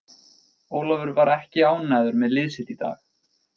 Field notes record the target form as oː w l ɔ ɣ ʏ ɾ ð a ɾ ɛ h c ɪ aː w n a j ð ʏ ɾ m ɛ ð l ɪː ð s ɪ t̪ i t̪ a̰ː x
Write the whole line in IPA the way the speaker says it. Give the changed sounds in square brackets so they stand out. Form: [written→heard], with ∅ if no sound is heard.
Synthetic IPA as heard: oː w l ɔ [ɣ→v] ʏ ɾ [ð→v] a ɾ ɛ h c ɪ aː w n a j ð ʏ ɾ m ɛ ð l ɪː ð s ɪ t̪ i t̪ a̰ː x